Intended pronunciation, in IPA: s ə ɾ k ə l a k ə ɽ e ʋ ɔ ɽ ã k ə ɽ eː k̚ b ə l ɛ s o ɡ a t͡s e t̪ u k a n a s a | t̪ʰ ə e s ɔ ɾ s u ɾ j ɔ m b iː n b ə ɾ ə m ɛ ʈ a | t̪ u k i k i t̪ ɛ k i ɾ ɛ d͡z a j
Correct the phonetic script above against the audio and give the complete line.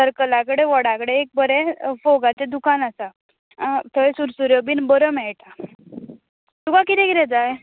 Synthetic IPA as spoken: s ə ɾ k ə l a k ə ɽ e ʋ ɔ ɽ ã k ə ɽ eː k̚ b ə ɾ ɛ f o ɡ a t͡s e d̪ u k a n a s a | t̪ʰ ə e s u ɾ s u ɾ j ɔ b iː n b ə ɾ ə m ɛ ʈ a | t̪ u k a k i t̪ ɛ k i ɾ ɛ d͡z a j